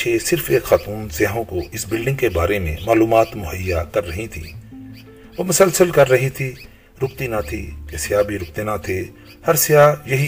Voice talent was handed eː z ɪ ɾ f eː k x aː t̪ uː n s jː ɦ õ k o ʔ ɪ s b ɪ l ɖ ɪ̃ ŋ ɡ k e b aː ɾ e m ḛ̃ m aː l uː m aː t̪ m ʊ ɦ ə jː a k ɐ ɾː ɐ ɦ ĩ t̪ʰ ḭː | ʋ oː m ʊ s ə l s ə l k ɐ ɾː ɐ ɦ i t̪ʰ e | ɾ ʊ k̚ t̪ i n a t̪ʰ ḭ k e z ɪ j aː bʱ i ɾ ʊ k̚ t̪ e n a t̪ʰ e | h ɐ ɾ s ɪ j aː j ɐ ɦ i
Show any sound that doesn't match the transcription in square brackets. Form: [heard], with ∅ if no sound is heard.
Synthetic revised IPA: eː [s] ɪ ɾ f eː k x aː t̪ uː n s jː ɦ õ k o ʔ ɪ s b ɪ l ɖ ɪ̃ ŋ ɡ k e b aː ɾ e m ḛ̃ m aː l uː m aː t̪ m ʊ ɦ ə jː a k ɐ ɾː ɐ ɦ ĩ t̪ʰ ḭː | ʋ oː m ʊ s ə l s ə l k ɐ ɾː ɐ ɦ i t̪ʰ [i] | ɾ ʊ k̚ t̪ i n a t̪ʰ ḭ k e [s] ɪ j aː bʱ i ɾ ʊ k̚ t̪ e n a t̪ʰ e | h ɐ ɾ s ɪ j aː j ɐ ɦ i